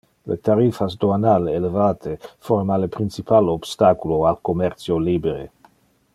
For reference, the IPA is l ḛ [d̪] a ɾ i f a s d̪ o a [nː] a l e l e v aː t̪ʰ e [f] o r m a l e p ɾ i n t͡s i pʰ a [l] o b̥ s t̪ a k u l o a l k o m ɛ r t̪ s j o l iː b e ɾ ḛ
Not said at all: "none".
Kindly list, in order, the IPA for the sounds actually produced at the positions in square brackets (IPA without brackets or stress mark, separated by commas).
t̪, n, f, l